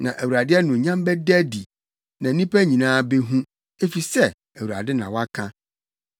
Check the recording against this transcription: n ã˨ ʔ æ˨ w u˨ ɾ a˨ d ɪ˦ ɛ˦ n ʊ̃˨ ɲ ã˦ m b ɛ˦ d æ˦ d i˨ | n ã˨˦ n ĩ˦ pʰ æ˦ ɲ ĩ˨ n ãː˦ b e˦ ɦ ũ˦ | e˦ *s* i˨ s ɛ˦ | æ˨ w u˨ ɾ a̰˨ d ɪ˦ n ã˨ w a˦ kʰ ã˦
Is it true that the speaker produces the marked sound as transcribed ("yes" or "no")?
no